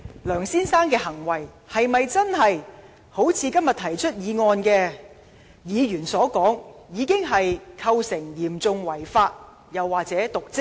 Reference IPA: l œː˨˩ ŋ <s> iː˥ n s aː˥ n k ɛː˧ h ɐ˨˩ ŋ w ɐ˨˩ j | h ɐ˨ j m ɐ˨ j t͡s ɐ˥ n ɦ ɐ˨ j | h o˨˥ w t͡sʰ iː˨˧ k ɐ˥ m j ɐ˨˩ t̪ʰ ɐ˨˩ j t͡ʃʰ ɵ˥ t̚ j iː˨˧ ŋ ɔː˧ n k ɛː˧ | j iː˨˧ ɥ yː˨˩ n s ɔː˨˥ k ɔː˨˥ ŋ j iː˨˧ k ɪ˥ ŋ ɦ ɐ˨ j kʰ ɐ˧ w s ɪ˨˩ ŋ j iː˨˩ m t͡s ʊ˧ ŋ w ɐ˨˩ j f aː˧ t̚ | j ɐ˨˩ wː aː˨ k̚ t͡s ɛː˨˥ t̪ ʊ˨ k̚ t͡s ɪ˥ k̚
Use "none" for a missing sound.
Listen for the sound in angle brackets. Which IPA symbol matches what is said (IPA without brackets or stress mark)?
s